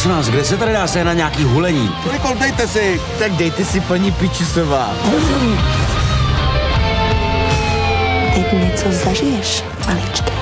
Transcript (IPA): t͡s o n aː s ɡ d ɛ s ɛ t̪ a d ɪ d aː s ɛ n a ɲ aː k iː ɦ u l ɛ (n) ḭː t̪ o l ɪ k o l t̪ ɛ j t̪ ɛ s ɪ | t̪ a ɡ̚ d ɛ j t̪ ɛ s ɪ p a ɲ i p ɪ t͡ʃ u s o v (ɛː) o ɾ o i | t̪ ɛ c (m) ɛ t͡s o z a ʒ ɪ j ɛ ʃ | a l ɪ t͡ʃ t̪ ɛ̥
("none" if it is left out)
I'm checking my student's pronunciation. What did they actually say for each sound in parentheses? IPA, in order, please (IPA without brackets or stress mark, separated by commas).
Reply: ɲ, aː, ɲ